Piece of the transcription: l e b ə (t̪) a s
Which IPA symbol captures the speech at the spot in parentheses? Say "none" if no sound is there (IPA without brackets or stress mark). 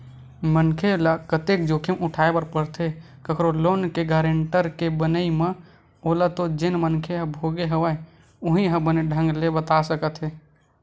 t̪